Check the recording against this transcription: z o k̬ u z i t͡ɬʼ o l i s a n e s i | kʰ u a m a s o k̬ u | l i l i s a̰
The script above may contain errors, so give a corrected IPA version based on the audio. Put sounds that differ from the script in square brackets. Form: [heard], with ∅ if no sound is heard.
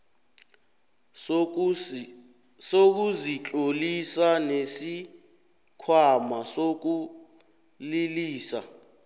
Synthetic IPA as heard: [s] o k̬ u z i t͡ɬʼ o l i s a n e s i | kʰ [w] a m a s o k̬ u | l i l [iː] s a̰